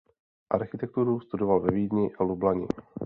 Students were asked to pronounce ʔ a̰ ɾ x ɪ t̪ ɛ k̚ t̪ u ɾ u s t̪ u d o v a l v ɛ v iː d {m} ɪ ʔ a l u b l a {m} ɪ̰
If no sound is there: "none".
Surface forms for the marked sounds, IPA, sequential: ɲ, ɲ

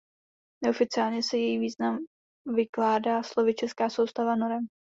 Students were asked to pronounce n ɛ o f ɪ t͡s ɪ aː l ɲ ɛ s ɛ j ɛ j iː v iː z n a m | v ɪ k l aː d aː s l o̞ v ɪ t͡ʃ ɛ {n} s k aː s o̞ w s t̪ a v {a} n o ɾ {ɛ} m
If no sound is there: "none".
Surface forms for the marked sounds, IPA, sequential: none, a, ɛ

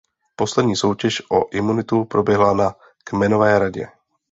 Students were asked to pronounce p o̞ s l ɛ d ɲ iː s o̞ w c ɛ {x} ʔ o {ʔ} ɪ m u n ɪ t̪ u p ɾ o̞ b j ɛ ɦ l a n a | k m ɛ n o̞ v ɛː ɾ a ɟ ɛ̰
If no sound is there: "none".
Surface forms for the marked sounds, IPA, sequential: ʃ, ʔ

